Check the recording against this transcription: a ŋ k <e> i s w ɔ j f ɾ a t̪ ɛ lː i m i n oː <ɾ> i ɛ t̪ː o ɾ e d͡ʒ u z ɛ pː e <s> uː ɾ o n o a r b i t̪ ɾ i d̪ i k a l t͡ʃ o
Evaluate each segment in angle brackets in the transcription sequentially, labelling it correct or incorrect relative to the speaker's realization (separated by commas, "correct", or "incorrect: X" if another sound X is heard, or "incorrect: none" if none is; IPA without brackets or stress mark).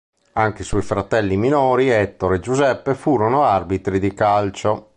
correct, correct, incorrect: f